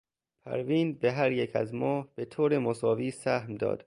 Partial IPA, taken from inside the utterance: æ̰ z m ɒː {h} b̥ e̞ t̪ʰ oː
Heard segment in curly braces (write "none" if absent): h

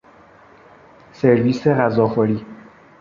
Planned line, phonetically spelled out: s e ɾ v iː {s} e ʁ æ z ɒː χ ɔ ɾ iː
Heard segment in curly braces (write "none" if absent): s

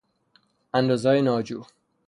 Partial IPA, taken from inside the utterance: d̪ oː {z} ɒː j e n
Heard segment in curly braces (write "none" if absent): z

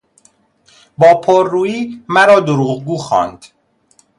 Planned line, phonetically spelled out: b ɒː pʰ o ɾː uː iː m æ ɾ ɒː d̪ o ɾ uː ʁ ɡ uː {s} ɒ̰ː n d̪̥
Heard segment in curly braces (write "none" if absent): x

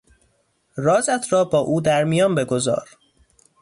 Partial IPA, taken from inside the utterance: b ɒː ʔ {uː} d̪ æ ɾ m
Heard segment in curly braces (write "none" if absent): uː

